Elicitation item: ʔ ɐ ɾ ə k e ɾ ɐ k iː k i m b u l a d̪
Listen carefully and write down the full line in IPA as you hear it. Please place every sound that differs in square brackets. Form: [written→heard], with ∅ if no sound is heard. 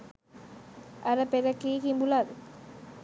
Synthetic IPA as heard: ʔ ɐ ɾ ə [k→p] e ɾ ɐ k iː k i m b u l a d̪